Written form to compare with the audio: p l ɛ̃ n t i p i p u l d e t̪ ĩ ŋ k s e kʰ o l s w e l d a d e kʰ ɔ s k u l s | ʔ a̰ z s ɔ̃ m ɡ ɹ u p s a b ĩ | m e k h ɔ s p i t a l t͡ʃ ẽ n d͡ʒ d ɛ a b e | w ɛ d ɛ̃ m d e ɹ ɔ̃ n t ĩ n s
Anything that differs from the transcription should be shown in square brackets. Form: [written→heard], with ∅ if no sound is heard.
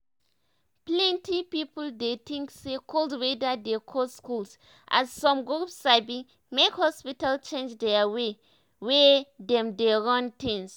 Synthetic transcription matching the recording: p l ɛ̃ n t i p i p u l d e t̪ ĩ ŋ k s e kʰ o l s w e [l→∅] d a d e kʰ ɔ s k u l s | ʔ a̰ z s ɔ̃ m ɡ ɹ u p s a b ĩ | m e k h ɔ s p i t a l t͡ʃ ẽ n d͡ʒ d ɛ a [b→w] e | w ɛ d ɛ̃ m d e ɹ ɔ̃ n t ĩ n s